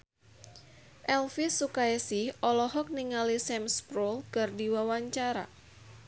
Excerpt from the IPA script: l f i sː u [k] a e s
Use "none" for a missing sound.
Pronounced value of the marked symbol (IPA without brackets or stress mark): k